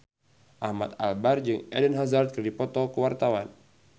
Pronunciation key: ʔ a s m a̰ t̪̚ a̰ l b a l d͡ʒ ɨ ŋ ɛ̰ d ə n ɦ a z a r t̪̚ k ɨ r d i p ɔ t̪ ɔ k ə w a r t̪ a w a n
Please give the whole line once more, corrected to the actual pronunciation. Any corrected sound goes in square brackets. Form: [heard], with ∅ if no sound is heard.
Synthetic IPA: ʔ a [h] m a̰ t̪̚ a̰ l b a [r] d͡ʒ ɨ ŋ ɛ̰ d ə n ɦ a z a r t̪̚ k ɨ r d i p ɔ t̪ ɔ k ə w a r t̪ a w a n